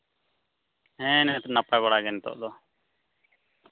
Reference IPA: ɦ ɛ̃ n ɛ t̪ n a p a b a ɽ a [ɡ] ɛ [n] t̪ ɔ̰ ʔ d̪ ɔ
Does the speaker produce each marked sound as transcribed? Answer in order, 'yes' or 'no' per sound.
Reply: yes, yes

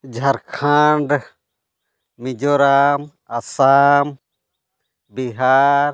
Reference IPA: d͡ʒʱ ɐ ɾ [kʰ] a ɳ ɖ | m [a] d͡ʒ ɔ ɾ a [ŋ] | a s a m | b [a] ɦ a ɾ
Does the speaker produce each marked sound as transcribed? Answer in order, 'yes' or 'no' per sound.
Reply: yes, no, no, no

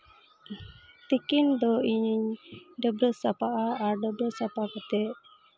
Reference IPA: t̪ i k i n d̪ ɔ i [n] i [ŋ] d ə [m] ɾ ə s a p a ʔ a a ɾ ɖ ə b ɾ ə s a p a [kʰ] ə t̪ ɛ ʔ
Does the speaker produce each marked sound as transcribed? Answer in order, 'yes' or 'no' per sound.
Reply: no, no, no, no

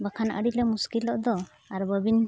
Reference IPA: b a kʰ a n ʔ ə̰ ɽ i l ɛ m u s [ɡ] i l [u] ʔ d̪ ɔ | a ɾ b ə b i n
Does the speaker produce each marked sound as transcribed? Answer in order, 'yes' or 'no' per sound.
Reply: no, no

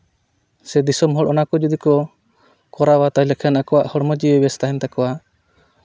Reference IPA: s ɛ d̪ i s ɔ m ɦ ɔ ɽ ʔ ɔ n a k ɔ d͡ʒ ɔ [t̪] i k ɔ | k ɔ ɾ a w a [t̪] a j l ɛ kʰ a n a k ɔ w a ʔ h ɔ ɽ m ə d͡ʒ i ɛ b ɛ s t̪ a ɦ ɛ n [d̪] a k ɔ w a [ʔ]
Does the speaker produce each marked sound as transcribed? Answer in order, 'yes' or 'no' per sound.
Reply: no, yes, no, no

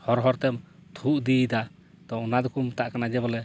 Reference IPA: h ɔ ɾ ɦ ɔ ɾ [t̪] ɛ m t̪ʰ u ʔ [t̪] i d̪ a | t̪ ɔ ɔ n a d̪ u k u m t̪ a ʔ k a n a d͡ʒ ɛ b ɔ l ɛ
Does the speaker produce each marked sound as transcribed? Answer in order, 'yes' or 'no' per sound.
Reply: yes, no

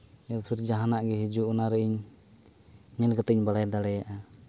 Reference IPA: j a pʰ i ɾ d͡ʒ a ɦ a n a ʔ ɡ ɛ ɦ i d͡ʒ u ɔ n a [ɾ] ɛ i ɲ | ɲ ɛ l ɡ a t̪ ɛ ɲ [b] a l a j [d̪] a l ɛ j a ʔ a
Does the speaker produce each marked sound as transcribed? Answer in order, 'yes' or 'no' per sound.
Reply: yes, yes, yes

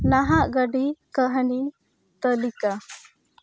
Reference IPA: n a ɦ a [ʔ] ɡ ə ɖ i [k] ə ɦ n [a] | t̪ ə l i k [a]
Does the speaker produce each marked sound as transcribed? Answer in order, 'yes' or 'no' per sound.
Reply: yes, yes, no, yes

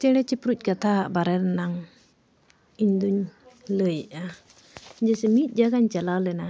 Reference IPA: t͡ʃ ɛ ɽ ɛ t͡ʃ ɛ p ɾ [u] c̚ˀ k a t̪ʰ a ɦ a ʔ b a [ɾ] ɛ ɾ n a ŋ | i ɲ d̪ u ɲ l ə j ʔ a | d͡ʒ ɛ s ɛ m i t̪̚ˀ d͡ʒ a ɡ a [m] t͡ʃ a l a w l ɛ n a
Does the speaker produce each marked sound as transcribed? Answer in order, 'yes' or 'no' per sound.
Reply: yes, yes, no

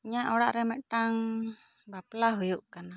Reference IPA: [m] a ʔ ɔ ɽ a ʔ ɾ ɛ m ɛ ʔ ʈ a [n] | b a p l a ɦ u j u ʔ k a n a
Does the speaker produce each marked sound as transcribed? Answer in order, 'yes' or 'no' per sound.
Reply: no, no

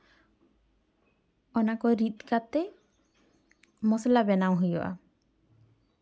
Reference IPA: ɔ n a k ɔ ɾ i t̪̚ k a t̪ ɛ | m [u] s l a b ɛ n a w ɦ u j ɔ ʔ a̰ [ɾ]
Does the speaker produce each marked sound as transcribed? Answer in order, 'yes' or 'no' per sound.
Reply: no, no

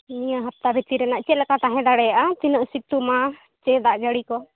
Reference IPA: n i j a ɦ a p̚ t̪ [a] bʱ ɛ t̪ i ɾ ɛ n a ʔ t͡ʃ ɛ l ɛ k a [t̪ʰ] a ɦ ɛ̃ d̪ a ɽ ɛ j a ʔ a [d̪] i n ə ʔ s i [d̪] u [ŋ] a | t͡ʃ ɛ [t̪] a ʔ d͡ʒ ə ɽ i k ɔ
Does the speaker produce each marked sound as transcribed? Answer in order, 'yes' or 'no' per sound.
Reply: yes, no, no, no, no, no

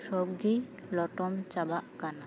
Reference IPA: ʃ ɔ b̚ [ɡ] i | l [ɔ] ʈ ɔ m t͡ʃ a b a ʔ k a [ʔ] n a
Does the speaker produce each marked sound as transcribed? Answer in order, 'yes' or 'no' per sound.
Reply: yes, yes, no

